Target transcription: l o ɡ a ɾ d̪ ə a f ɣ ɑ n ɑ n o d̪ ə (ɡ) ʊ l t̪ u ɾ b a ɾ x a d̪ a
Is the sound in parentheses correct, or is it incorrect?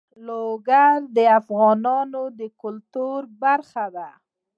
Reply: incorrect